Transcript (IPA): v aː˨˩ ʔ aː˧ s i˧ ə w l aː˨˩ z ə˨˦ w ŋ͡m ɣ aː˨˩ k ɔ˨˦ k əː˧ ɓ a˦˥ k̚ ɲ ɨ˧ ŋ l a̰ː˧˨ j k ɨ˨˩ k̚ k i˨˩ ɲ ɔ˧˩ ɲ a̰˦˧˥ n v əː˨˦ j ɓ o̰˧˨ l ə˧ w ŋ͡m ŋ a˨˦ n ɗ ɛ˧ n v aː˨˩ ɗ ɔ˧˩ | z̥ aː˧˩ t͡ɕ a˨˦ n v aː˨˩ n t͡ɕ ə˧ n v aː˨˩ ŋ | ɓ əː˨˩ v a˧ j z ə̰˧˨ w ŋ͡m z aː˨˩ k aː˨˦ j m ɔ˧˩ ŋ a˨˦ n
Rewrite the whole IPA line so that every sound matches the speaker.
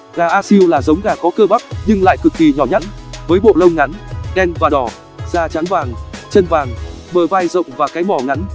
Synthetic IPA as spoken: ɣ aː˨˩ ʔ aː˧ s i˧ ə w l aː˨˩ z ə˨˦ w ŋ͡m ɣ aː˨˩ k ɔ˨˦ k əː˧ ɓ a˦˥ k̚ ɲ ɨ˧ ŋ l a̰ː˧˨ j k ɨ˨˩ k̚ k i˨˩ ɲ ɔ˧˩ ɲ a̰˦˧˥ n v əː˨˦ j ɓ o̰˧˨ l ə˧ w ŋ͡m ŋ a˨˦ n ɗ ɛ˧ n v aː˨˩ ɗ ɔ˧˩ | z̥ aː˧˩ t͡ɕ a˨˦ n v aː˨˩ ŋ t͡ɕ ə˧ n v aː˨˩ ŋ | ɓ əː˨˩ v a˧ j z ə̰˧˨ w ŋ͡m v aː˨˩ k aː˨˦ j m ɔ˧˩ ŋ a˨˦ n